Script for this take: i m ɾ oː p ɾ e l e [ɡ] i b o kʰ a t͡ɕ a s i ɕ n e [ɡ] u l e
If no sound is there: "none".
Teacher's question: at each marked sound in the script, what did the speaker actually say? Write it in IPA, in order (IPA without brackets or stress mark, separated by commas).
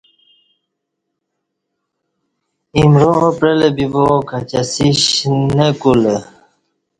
b, k